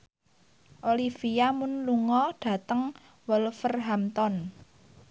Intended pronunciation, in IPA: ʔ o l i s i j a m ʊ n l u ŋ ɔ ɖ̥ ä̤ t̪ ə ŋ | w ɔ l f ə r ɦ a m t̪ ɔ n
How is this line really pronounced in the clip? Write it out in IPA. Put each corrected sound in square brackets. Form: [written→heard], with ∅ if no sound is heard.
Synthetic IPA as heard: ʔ o l i [s→f] i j a m ʊ n l u ŋ ɔ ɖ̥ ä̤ t̪ ə ŋ | w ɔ l f ə r ɦ a m t̪ ɔ n